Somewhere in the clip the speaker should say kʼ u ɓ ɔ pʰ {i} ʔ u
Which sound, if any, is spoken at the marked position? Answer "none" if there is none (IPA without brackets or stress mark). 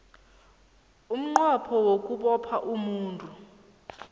a